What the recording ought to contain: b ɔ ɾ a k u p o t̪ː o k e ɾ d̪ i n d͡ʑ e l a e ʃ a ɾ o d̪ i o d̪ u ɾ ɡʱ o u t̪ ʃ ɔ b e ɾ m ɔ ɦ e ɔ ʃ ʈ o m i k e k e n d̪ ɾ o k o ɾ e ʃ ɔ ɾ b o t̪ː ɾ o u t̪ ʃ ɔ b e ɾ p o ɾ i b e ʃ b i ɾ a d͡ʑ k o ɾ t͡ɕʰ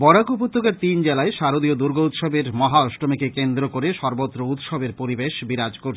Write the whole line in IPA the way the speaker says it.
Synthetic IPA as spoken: b ɔ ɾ a k u p o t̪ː o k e ɾ t̪ i n d͡ʑ e l a e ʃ a ɾ o d̪ i o d̪ u ɾ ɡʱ o u t̪ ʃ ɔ b e ɾ m ɔ ɦ a ɔ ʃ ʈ o m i k e k e n d̪ ɾ o k o ɾ e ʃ ɔ ɾ b o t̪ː ɾ o u t̪ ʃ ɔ b e ɾ p o ɾ i b e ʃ b i ɾ a d͡ʑ k o ɾ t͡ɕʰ